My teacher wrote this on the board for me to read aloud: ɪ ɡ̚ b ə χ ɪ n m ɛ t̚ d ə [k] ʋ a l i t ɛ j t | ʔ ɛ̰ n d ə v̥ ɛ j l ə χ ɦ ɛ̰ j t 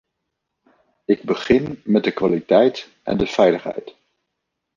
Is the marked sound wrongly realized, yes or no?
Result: no